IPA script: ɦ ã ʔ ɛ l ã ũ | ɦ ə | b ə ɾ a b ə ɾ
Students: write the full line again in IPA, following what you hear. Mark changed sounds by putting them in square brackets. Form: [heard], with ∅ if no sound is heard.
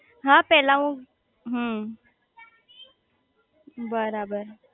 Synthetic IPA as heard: ɦ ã [p] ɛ l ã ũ | ɦ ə | b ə ɾ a b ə ɾ